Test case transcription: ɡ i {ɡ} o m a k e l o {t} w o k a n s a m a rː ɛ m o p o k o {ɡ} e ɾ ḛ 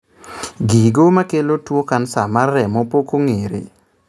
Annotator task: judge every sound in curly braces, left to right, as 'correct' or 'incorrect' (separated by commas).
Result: correct, correct, incorrect